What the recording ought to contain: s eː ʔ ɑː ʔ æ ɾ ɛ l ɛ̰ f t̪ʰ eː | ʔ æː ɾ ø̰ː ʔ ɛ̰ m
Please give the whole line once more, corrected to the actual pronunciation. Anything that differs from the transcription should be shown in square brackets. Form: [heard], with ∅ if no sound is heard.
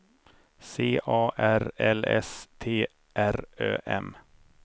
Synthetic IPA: s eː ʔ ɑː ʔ æ ɾ ɛ l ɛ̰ [s] t̪ʰ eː | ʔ [æ] ɾ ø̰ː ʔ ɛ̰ m

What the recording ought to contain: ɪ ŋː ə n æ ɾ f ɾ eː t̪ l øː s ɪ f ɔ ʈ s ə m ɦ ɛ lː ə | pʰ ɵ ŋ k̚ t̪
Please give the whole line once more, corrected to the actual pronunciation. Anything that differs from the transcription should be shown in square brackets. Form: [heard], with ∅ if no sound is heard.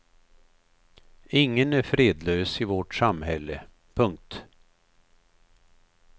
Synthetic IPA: ɪ ŋː ə n æ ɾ f ɾ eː [d̪] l øː s ɪ [v] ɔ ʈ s [a] m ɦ ɛ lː ə | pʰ ɵ ŋ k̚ t̪

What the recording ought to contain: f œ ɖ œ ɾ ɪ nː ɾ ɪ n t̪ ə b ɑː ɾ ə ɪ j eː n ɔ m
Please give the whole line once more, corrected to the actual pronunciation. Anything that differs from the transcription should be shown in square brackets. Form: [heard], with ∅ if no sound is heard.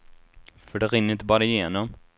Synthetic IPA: f œ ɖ [ɛ] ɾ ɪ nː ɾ ɪ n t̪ ə b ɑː ɾ [a] ɪ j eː n ɔ m

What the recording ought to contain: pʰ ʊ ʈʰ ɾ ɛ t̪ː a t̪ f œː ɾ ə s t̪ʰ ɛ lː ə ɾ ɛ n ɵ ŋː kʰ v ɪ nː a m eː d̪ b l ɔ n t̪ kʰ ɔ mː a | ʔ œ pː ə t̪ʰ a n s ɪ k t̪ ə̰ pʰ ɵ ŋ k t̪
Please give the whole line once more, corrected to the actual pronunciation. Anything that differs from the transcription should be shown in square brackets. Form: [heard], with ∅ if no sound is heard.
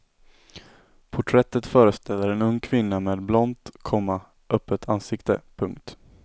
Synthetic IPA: pʰ ʊ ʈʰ ɾ ɛ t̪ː [ə] t̪ f œː ɾ ə s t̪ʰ ɛ lː ə ɾ ɛ n ɵ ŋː kʰ v ɪ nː a m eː d̪ b l ɔ n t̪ kʰ ɔ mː a | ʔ œ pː ə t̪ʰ a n s ɪ k t̪ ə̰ pʰ ɵ ŋ k t̪

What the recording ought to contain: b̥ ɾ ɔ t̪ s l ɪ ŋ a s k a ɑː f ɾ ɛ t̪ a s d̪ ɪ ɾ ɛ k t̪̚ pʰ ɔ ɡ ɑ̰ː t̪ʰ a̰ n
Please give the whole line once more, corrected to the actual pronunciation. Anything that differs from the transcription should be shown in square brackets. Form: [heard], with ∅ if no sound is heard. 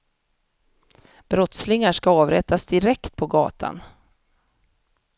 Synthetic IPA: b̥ ɾ ɔ t̪ s l ɪ ŋ a [ʂ] k a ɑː [v] ɾ ɛ t̪ a s d̪ ɪ ɾ ɛ k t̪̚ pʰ ɔ ɡ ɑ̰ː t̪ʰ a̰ n

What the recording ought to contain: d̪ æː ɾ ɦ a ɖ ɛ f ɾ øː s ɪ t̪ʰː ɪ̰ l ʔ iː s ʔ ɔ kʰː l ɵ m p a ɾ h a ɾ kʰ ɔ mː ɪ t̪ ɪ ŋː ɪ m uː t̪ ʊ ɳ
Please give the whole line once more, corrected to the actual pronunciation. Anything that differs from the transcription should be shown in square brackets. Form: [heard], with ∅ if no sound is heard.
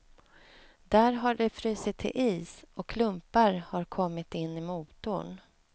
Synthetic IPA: d̪ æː ɾ ɦ a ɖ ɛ f ɾ [yː] s ɪ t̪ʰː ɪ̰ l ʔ iː s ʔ ɔ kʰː l ɵ m p a ɾ h a ɾ kʰ ɔ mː ɪ t̪ ɪ [nː] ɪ m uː t̪ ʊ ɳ

